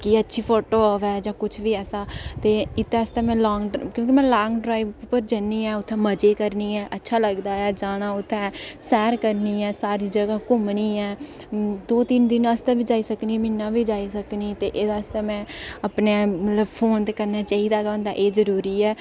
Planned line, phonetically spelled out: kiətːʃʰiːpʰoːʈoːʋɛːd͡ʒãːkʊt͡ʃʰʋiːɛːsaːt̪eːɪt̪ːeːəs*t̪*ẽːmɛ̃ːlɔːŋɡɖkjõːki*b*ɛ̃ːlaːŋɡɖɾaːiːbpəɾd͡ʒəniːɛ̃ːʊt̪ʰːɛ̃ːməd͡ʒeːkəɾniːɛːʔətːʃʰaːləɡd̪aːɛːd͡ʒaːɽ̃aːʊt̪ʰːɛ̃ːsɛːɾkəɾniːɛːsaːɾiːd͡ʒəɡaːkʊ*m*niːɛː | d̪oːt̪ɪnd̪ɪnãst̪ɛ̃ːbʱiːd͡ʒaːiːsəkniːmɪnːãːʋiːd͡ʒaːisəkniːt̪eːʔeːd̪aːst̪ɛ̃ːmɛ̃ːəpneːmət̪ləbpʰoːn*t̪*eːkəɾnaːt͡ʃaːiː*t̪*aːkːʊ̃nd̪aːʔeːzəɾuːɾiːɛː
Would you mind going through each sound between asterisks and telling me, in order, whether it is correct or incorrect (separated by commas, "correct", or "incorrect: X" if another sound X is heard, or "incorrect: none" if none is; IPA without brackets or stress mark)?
correct, incorrect: m, correct, correct, incorrect: d̪